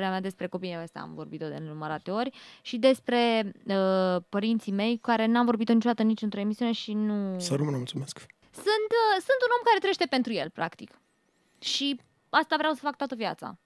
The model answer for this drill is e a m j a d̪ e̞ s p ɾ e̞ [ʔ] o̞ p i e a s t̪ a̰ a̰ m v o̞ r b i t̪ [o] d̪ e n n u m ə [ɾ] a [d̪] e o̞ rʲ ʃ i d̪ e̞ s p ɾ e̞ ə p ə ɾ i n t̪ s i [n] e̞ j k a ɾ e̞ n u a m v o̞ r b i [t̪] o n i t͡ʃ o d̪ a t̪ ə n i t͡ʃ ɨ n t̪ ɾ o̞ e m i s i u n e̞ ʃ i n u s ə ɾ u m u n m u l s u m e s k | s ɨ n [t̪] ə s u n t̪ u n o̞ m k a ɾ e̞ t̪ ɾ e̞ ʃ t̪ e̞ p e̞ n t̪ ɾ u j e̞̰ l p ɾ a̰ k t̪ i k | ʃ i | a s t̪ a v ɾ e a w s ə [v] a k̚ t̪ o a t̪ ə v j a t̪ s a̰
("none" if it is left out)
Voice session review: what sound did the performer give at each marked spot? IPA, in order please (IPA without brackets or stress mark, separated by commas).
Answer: k, o, ɾ, t̪, m, t̪, t̪, f